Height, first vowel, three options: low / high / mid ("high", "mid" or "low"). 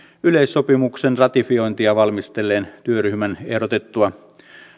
high